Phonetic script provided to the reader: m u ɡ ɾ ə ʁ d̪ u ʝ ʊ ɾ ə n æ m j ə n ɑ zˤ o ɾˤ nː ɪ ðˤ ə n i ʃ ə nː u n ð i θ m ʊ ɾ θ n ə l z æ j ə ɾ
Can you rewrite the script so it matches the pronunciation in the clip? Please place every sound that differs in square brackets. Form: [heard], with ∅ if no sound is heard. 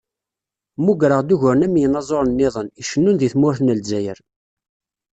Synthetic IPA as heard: m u ɡ ɾ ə ʁ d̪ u ʝ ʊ ɾ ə n æ m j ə n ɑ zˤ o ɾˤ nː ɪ ðˤ ə n i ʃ ə nː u n ð i θ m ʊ ɾ θ n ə l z æ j ə ɾ